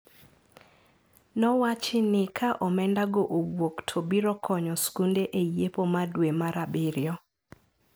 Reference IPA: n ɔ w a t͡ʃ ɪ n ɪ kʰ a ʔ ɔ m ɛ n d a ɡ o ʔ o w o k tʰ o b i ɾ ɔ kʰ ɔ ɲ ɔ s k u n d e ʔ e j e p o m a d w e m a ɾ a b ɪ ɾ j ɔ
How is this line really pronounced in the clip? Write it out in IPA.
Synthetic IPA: n ɔ w a t͡ʃ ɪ n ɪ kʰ a ʔ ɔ m ɛ n d a ɡ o ʔ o w o k tʰ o b i ɾ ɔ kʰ ɔ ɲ ɔ s k u n d e ʔ e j e p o m a d w e m a ɾ a b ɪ ɾ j ɔ